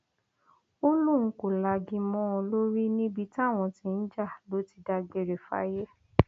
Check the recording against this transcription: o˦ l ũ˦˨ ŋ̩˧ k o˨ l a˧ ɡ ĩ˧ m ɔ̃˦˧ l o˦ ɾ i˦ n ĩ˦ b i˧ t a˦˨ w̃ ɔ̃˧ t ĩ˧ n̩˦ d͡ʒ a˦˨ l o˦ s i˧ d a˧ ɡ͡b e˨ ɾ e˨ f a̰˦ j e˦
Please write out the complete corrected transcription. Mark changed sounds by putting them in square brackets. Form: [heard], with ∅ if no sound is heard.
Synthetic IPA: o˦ l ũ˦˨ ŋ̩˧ k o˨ l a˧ ɡ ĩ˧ m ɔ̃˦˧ l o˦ ɾ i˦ n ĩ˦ b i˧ t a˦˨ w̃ ɔ̃˧ t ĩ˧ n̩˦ d͡ʒ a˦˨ l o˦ [t] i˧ d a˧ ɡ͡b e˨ ɾ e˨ f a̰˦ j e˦